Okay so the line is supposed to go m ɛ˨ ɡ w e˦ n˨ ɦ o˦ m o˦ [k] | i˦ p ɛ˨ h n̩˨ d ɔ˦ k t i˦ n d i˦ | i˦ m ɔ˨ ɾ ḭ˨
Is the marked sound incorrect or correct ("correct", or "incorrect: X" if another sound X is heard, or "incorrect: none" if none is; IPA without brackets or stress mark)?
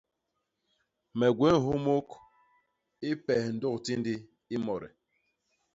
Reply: correct